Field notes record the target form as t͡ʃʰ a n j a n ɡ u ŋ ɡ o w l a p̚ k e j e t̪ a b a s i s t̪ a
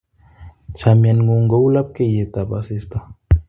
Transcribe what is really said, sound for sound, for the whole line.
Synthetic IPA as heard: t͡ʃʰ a m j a n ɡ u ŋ ɡ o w l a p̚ k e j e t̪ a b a s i s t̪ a